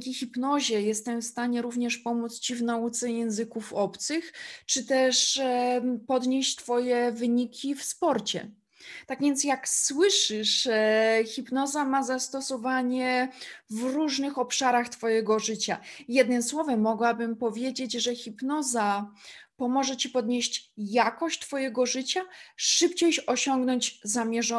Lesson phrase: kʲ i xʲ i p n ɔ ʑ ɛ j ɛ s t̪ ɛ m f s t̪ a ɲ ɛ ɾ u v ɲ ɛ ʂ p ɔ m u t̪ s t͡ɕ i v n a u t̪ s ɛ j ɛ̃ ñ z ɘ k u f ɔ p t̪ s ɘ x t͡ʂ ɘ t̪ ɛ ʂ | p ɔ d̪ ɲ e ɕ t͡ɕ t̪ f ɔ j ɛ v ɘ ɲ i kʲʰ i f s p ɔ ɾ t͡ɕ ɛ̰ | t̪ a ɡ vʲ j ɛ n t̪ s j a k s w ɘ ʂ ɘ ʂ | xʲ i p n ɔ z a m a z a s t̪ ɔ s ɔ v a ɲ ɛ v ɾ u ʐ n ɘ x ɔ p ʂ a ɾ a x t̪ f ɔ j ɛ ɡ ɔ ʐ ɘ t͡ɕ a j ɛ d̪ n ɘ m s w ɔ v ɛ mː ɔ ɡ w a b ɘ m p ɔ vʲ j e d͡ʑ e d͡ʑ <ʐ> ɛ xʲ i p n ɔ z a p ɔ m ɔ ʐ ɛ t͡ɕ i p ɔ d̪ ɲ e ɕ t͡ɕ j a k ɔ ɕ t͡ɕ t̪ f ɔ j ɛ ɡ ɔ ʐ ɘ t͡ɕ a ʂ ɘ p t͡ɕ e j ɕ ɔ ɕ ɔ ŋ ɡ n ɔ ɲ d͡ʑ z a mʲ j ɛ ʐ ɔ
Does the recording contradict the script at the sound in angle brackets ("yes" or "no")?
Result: no